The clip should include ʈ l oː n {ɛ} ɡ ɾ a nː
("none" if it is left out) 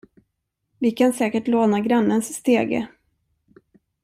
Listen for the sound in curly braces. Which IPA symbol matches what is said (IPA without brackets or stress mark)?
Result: a